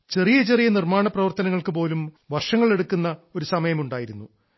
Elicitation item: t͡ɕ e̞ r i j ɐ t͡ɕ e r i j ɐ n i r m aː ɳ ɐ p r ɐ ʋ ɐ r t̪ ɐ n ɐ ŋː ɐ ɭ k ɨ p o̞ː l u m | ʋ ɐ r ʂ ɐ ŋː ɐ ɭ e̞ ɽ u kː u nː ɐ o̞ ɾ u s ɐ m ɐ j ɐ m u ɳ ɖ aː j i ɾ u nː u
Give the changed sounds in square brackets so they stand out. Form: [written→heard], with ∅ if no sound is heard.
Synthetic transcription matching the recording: t͡ɕ e̞ r i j ɐ t͡ɕ e r i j ɐ n i r m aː ɳ ɐ p r ɐ ʋ ɐ r t̪ ɐ n ɐ ŋː ɐ ɭ k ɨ p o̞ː l u m | ʋ ɐ r ʂ ɐ ŋː ɐ ɭ e̞ ɽ u kː u nː ɐ o̞ ɾ u s ɐ m ɐ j ɐ m u ɳ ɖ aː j i ɾ u nː u